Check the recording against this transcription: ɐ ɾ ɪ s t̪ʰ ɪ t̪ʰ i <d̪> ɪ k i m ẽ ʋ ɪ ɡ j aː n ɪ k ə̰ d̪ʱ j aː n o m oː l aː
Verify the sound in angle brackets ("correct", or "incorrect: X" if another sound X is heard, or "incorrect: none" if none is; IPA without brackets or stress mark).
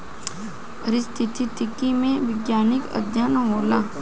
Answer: incorrect: t̪